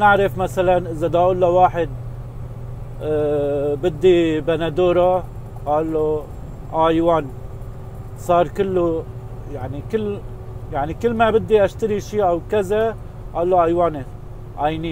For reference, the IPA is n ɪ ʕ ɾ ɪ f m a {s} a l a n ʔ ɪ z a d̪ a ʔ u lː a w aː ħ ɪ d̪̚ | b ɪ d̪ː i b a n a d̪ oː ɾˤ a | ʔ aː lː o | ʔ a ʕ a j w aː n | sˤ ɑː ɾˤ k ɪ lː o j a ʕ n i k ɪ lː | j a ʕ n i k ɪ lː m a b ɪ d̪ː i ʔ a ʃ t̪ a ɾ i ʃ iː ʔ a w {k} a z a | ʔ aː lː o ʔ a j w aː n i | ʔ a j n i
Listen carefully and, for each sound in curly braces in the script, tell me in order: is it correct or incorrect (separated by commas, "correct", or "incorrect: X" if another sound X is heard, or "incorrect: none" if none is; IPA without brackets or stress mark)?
correct, correct